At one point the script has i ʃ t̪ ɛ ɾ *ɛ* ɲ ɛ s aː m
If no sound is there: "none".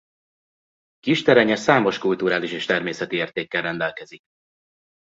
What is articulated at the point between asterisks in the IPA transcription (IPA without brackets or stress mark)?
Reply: ɛ